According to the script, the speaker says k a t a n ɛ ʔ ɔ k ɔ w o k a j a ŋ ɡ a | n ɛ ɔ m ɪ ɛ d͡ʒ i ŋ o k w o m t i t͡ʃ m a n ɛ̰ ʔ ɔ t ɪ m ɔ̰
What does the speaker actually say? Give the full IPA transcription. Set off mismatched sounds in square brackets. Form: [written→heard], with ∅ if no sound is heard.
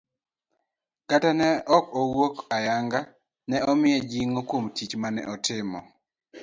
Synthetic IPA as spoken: k a t a n ɛ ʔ ɔ k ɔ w o k a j a ŋ ɡ a | n ɛ ɔ m ɪ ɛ d͡ʒ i ŋ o k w o m t i t͡ʃ m a n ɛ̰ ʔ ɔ t ɪ m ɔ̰